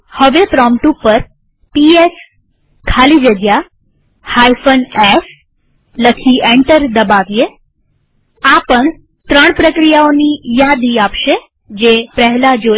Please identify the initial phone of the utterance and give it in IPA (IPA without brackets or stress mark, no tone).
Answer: h